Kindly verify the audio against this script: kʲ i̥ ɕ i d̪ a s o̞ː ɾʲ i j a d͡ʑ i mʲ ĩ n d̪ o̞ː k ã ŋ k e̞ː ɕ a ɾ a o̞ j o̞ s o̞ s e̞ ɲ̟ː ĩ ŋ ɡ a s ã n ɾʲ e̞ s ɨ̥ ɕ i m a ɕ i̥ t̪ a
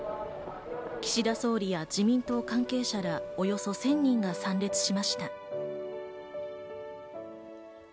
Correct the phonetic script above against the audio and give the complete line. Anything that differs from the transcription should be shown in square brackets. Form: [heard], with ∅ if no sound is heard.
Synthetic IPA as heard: kʲ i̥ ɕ i d̪ a s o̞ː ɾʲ i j a d͡ʑ i mʲ ĩ n [t̪] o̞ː k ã ŋ k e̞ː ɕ a ɾ a o̞ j o̞ s o̞ s [ẽ̞] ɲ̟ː ĩ ŋ ɡ a s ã n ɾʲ e̞ [t͡s] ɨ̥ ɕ i m a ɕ i̥ t̪ a